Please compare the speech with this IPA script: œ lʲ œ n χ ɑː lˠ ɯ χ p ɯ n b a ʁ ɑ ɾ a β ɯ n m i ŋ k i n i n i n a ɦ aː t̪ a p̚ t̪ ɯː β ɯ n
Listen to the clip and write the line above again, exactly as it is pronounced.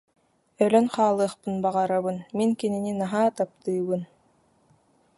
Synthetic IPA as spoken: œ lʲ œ n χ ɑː lˠ ɯ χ p ɯ n b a ʁ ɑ ɾ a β ɯ n m i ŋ k i n i n i n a ɦ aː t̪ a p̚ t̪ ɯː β ɯ n